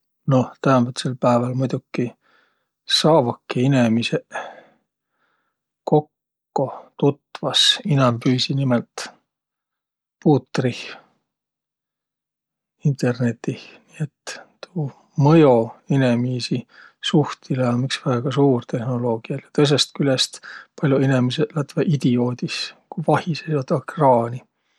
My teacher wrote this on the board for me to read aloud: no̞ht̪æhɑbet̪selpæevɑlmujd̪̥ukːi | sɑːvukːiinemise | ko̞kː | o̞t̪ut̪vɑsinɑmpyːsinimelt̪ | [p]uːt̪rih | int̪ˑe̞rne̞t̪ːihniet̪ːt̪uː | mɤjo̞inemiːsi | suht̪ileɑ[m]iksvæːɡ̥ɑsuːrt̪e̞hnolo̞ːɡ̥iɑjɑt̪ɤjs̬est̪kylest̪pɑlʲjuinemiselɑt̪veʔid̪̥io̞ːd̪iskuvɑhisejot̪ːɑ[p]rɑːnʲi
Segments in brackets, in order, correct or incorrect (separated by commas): correct, correct, incorrect